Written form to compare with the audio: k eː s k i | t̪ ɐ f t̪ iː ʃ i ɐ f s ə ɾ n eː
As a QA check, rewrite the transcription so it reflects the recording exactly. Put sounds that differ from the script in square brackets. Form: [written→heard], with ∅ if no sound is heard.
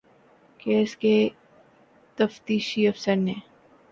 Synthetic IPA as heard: k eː s k [i→e] | t̪ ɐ f t̪ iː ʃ i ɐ f s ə ɾ n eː